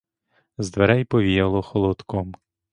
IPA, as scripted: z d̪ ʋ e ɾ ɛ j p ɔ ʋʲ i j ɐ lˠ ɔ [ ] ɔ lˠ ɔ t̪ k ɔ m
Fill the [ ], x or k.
x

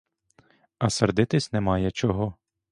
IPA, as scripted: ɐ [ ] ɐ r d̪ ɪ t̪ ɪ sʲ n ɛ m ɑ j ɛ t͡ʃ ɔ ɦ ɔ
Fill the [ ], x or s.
s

